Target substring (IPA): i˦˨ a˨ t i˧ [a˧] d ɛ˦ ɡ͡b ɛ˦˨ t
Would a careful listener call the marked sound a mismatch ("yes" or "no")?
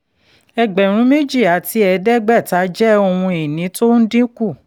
yes